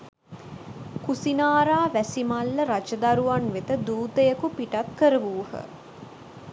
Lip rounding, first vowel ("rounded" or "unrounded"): rounded